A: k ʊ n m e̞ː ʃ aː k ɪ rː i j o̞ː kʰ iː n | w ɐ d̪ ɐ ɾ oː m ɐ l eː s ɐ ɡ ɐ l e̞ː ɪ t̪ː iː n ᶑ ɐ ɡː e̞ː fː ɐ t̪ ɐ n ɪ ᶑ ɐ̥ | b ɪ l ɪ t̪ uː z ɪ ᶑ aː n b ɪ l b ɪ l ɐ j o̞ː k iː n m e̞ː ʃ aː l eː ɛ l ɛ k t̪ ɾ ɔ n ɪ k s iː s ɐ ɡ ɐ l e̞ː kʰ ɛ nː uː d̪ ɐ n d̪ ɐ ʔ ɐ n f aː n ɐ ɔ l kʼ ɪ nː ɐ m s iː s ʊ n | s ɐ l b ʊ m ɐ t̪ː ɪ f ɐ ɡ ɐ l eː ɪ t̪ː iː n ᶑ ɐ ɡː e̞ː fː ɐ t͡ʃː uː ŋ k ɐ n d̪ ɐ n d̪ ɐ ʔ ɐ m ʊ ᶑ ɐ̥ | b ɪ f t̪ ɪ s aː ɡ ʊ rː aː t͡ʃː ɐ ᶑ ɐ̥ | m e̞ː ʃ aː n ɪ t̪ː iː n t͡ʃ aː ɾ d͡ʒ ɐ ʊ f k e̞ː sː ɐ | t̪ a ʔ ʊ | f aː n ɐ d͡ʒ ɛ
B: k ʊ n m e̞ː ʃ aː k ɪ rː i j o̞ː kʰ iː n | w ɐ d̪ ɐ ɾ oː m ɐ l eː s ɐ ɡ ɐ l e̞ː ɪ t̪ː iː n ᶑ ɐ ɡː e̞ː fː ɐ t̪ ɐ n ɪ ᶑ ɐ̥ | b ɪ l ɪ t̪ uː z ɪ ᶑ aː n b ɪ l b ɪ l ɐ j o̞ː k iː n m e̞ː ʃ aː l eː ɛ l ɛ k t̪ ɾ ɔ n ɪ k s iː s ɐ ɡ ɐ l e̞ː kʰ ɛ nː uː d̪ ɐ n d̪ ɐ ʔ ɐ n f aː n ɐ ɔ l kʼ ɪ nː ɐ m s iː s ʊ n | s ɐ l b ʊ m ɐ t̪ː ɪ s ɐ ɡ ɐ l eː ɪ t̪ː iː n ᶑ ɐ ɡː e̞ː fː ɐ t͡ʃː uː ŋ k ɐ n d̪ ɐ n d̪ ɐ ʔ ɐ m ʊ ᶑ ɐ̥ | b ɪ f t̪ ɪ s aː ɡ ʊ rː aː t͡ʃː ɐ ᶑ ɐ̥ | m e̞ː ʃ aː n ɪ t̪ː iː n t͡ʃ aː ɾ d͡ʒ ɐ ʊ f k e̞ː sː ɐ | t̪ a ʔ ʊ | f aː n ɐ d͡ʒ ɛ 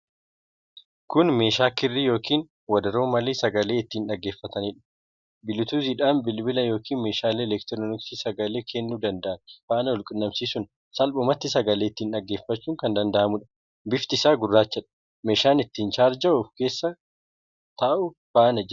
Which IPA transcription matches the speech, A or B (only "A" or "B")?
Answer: B